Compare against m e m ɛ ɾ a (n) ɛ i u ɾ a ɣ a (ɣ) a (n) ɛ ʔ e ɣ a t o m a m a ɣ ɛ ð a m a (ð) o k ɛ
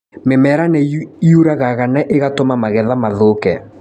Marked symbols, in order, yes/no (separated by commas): yes, yes, yes, yes